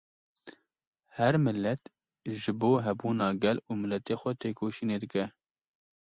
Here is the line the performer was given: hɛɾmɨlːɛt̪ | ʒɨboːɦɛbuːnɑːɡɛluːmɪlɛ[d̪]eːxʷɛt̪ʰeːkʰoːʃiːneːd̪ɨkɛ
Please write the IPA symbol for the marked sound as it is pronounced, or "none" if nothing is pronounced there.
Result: t̪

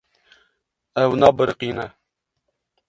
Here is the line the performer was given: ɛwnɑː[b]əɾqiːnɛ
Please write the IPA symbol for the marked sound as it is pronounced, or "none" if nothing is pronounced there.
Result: b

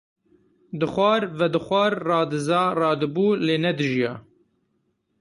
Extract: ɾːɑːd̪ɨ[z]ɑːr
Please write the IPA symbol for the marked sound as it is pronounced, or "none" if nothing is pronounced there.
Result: z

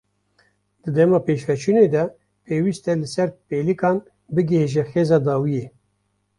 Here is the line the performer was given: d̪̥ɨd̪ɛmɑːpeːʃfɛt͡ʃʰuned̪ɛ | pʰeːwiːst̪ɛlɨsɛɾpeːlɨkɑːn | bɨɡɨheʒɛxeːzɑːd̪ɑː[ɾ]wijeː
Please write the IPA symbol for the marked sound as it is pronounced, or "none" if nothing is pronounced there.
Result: none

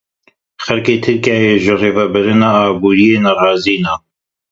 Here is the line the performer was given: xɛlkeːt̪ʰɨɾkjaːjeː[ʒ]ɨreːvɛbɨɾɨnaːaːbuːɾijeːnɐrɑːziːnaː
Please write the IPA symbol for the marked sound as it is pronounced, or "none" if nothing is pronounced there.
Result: ʒ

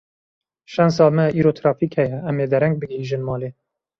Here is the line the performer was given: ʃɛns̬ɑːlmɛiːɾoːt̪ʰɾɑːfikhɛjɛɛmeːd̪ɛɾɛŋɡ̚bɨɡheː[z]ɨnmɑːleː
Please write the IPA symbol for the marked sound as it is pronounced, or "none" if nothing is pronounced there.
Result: ʒ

